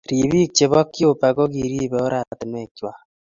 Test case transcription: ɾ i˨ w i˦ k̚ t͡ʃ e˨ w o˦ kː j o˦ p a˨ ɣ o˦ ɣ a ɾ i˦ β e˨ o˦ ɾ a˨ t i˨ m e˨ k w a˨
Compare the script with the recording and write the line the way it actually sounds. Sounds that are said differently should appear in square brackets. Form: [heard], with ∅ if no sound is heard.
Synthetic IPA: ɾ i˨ [β] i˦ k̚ t͡ʃ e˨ [β] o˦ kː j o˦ p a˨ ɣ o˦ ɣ [i] ɾ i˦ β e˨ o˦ ɾ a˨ t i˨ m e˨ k w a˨